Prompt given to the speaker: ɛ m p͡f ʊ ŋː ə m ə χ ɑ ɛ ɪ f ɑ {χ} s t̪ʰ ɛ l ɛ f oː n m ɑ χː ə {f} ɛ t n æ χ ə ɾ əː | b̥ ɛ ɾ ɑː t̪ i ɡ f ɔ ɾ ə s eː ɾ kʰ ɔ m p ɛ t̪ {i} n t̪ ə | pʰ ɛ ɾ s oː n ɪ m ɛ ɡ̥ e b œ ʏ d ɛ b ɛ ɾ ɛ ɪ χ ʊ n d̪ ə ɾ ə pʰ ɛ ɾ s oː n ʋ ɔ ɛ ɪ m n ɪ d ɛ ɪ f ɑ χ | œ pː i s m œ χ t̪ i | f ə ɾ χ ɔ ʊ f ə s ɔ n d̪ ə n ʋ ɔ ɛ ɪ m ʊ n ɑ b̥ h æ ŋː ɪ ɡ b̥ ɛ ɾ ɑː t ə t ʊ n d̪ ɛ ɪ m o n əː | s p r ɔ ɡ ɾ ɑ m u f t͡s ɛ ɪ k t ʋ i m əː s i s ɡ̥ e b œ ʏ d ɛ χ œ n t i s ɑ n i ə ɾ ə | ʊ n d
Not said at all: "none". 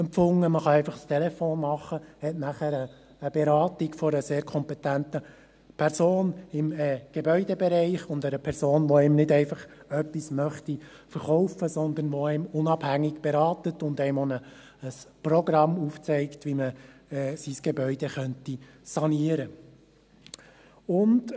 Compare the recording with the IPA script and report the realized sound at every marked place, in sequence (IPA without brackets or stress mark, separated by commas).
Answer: χ, h, æ